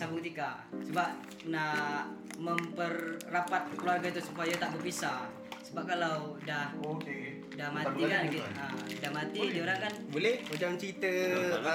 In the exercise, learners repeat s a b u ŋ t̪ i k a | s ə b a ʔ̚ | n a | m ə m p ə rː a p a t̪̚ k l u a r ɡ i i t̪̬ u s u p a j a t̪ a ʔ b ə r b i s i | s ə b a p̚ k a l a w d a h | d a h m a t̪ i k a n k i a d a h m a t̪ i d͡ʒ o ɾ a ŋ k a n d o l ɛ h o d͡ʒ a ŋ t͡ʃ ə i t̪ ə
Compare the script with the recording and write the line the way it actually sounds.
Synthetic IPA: s a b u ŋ t̪ i k a | s ə b a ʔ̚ | n a | m ə m p ə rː a p a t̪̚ k l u a r ɡ a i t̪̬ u s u p a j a t̪ a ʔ b ə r b i s a | s ə b a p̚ k a l a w d a h | d a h m a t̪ i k a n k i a d a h m a t̪ i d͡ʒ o ɾ a ŋ k a n b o l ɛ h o d͡ʒ a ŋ t͡ʃ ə i t̪ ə